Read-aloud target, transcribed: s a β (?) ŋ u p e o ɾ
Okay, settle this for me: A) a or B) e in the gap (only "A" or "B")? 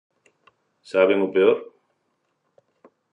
B